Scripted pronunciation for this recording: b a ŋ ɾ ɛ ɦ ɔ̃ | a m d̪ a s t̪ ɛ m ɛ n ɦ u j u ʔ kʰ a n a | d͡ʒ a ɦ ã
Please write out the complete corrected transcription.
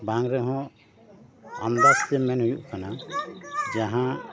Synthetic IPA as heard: b a ŋ ɾ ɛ ɦ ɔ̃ | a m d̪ a s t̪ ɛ m ɛ n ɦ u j u ʔ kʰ a n a | d͡ʒ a ɦ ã